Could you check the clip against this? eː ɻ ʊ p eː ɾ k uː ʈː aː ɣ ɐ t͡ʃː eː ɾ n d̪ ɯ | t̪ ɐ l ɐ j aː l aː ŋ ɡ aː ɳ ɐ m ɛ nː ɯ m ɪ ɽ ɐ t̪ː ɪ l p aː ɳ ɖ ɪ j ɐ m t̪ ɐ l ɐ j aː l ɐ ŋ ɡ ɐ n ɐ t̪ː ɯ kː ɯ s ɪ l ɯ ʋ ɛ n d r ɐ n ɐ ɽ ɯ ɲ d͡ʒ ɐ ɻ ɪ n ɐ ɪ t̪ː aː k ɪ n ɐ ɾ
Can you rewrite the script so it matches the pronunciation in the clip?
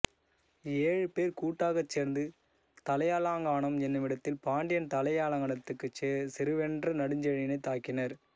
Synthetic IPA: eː ɻ ɯ p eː ɾ k uː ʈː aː ɣ ɐ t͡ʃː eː ɾ n d̪ ɯ | t̪ ɐ l ɐ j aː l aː ŋ ɡ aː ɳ ɐ m ɛ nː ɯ m ɪ ɽ ɐ t̪ː ɪ l p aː ɳ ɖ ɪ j ɐ n t̪ ɐ l ɐ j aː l ɐ ŋ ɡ ɐ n ɐ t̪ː ɯ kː ɯ s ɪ ɾ ɯ ʋ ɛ n d r ɐ n ɐ ɽ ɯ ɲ d͡ʒ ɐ ɻ ɪ n ɐ ɪ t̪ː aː k ɪ n ɐ ɾ